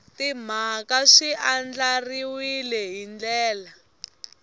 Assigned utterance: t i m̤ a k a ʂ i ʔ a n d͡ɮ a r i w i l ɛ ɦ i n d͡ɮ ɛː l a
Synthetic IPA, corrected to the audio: t i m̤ a k a ʂ i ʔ a n d͡ɮ a r i w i l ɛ ɦ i n d͡ɮ ɛː l a